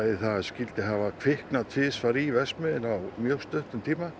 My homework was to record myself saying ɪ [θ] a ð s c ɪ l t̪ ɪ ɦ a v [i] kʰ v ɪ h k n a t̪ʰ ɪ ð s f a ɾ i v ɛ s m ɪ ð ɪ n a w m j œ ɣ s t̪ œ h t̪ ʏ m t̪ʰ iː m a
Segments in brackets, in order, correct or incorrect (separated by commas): correct, incorrect